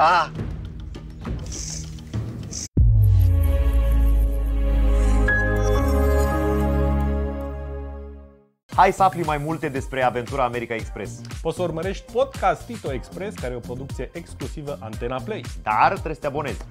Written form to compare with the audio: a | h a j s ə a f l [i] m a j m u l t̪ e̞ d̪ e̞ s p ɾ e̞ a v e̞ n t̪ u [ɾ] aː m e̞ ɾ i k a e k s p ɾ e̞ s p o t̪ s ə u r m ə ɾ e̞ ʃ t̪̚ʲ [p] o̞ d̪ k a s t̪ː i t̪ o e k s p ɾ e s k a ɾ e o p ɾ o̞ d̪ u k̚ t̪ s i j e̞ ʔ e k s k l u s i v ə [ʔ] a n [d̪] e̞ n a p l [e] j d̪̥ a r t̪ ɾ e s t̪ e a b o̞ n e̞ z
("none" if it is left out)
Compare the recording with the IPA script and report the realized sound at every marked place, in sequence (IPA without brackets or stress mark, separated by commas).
i, ɾ, p, ʔ, t̪, e